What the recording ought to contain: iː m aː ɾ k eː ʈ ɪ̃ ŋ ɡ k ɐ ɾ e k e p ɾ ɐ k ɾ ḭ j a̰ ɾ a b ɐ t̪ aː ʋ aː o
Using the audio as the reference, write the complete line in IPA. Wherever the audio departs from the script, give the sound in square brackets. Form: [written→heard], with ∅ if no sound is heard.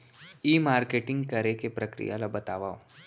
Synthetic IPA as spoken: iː m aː ɾ k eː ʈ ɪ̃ ŋ ɡ k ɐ ɾ e k e p ɾ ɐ k ɾ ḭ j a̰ [ɾ→l] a b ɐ t̪ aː ʋ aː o